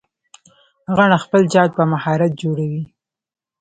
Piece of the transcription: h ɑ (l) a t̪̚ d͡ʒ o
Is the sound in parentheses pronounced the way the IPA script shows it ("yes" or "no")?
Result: no